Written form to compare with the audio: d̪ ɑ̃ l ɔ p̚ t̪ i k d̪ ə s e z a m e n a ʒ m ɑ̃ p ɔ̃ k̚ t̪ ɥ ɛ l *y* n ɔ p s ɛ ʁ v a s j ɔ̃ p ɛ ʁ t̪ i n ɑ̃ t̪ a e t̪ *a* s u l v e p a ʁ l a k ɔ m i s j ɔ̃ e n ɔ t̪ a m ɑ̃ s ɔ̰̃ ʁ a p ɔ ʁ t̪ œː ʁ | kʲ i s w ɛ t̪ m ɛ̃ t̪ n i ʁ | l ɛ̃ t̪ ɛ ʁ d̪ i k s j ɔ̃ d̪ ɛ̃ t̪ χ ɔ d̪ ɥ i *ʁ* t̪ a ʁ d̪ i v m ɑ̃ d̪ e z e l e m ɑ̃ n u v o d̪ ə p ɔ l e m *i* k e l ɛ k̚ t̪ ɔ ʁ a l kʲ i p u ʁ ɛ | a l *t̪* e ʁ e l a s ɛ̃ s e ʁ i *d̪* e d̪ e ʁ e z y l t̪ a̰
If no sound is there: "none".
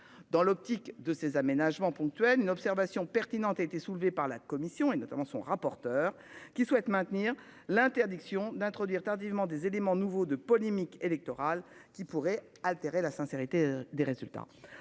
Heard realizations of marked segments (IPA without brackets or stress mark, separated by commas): y, e, ʁ, i, t̪, t̪